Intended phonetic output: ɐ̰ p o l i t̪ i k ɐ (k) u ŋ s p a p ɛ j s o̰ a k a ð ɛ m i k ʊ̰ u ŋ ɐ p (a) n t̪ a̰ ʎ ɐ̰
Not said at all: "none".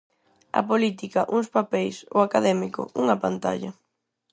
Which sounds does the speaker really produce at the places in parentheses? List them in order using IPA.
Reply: ʔ, a

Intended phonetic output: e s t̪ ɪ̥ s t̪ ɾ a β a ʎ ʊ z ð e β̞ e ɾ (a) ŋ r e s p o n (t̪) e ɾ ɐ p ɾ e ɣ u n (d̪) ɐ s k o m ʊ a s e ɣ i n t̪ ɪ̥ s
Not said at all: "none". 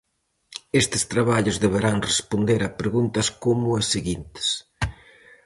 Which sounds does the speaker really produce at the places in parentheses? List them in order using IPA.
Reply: a, d̪, t̪

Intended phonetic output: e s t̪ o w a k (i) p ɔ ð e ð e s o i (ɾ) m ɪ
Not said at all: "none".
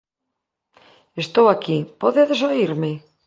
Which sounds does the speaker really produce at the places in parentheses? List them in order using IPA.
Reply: i, ɾ

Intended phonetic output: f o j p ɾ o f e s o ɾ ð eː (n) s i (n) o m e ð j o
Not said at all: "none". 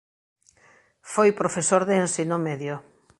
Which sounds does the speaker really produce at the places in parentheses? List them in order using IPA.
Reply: n, n

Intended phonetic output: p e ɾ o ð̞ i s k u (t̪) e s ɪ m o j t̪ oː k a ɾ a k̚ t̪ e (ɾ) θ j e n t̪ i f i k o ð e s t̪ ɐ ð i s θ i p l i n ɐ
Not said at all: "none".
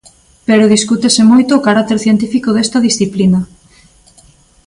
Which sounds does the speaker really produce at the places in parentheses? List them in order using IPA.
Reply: t̪, ɾ

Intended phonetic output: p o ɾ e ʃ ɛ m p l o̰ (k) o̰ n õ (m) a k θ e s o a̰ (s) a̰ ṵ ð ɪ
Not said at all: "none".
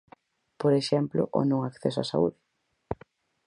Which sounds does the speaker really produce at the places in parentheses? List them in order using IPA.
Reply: ʔ, ŋ, s

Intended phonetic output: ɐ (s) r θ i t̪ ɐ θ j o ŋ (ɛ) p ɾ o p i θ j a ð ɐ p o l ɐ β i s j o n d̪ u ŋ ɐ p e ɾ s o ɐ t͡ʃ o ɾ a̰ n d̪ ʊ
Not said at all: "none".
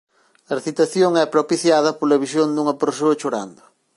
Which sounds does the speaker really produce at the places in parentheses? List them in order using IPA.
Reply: none, ɛ

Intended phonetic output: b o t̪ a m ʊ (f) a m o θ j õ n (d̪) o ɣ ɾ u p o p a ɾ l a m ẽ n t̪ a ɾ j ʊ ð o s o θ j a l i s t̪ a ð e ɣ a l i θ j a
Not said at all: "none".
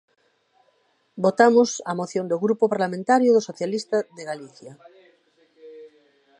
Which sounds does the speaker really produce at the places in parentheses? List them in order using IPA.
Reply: s, d̪

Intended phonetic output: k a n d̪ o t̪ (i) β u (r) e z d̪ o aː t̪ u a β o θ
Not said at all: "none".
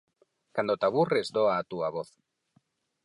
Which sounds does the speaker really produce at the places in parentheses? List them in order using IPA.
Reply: a, r

